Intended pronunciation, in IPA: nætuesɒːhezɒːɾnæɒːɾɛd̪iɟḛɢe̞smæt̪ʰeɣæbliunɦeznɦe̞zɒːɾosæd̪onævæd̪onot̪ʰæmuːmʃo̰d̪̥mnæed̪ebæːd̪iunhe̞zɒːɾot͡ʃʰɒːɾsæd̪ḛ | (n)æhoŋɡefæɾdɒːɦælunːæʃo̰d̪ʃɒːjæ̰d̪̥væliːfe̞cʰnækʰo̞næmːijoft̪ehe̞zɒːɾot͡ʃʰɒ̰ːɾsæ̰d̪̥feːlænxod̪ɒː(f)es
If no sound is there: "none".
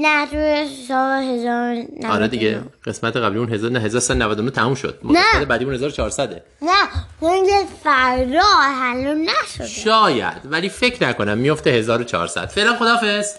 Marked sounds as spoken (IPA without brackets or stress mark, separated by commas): n, f